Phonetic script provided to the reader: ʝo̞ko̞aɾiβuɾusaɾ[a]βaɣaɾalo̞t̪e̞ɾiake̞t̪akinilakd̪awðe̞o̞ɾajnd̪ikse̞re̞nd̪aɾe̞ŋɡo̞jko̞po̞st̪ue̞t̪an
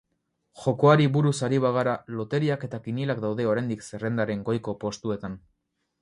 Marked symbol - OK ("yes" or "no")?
no